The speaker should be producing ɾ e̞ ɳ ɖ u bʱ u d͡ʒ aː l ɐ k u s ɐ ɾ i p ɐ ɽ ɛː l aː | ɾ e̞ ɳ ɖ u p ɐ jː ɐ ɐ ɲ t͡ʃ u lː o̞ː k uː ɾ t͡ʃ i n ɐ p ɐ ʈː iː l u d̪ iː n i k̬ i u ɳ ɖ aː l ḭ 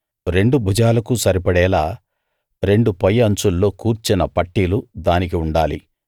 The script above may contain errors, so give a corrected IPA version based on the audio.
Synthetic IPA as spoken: ɾ e̞ ɳ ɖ u bʱ u d͡ʒ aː l ɐ k u s ɐ ɾ i p ɐ ɽ ɛː l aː | ɾ e̞ ɳ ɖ u p ɐ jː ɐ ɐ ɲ t͡ʃ u lː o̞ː k uː ɾ t͡ʃ i n ɐ p ɐ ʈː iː l u d̪ aː n i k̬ i u ɳ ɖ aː l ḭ

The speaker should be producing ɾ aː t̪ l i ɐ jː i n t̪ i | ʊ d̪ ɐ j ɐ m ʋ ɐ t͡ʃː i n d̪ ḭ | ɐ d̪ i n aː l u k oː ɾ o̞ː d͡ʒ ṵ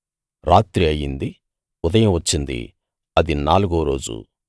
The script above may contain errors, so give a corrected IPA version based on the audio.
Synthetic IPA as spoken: ɾ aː t̪ ɾ i ɐ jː i n d̪ i | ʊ d̪ ɐ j ɐ m ʋ ɐ t͡ʃː i n d̪ ḭ | ɐ d̪ i n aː l u ɡ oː ɾ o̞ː d͡ʒ ṵ

